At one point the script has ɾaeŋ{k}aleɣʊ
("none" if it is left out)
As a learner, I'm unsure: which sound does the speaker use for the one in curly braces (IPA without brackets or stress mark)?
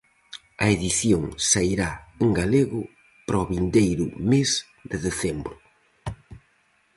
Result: ɡ